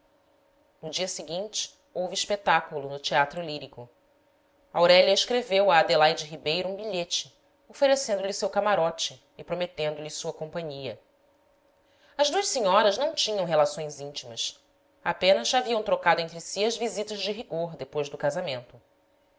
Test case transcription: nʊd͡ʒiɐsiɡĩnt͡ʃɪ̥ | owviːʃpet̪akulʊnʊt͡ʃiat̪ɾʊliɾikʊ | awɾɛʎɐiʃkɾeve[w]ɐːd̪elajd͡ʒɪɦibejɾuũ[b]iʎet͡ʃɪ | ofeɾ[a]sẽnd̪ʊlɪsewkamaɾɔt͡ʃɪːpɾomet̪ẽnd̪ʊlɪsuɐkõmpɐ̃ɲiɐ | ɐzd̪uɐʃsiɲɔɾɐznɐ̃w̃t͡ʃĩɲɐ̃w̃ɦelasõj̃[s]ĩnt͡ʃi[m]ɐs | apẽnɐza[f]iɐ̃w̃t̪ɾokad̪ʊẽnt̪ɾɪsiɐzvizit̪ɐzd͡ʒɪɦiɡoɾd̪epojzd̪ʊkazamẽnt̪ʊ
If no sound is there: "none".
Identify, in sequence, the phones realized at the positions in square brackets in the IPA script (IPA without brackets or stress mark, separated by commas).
w, b, e, z, m, v